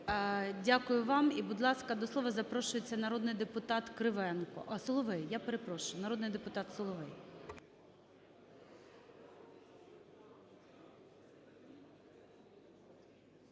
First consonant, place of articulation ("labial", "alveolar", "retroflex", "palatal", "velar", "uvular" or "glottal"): alveolar